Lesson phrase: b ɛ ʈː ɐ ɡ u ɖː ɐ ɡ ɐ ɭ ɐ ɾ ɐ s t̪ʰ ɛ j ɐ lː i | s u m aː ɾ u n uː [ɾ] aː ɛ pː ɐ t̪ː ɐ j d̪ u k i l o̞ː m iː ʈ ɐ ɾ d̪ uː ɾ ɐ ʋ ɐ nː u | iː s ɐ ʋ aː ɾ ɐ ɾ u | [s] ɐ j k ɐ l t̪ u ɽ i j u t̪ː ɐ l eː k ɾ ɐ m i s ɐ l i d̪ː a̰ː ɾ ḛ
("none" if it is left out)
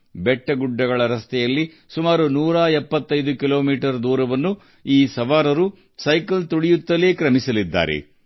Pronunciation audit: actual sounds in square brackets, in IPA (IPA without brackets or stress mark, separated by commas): ɾ, s